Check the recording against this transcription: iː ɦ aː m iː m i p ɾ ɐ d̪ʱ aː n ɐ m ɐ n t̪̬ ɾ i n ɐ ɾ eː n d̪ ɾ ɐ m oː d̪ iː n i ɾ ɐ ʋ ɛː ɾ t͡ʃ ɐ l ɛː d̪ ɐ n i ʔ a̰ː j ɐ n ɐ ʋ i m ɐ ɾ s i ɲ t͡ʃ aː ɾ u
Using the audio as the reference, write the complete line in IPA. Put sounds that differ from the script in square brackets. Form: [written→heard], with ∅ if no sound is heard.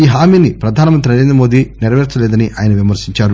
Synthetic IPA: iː ɦ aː m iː [m→n] i p ɾ ɐ d̪ʱ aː n ɐ m ɐ n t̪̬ ɾ i n ɐ ɾ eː n d̪ ɾ ɐ m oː d̪ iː n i ɾ ɐ ʋ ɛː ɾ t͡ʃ ɐ l ɛː d̪ ɐ n i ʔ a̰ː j ɐ n ɐ ʋ i m ɐ ɾ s i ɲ t͡ʃ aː ɾ u